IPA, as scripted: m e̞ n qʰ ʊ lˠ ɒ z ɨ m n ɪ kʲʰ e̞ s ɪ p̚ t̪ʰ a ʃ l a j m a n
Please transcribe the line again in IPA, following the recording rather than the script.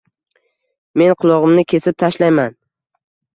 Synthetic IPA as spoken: m e̞ n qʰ ʊ lˠ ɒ ʁ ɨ m n ɪ kʲʰ e̞ s ɪ p̚ t̪ʰ a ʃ l a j m a n